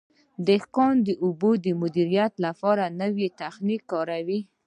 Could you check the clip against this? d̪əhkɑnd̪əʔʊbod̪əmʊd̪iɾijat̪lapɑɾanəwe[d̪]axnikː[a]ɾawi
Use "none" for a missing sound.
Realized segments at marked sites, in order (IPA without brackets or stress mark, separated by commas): t̪, ɑ